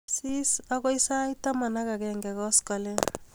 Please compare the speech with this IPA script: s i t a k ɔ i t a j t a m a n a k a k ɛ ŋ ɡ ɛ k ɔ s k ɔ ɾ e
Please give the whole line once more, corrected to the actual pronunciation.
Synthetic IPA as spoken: s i s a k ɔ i s a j t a m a n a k a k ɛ ŋ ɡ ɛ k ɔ s k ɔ l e